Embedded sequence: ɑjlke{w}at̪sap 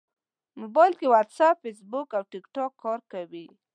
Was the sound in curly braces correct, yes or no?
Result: yes